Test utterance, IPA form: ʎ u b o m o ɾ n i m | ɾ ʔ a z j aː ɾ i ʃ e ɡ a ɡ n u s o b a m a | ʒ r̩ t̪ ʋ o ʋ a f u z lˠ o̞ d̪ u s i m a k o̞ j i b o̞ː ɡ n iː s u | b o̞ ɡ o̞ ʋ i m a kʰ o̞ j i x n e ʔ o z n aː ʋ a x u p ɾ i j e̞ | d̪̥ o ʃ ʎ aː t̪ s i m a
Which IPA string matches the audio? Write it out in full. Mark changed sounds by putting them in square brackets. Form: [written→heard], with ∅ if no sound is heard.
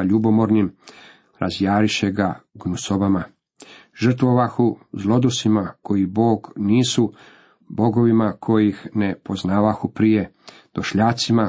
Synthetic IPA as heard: ʎ u b o m o ɾ n i m | ɾ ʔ a z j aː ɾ i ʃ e ɡ a ɡ n u s o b a m a | ʒ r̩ t̪ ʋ o ʋ a [f→x] u z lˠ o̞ d̪ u s i m a k o̞ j i b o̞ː ɡ n iː s u | b o̞ ɡ o̞ ʋ i m a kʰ o̞ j i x n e [ʔ→p] o z n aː ʋ a x u p ɾ i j e̞ | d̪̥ o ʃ ʎ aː t̪ s i m a